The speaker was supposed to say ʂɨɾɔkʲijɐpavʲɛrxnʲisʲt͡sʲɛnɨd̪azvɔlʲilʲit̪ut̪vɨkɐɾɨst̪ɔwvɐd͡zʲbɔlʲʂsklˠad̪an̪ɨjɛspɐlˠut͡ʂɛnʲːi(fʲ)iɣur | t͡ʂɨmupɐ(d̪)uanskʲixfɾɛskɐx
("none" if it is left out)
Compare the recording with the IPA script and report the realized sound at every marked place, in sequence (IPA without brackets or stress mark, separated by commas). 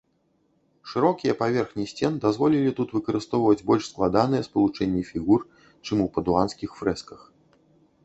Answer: fʲ, d̪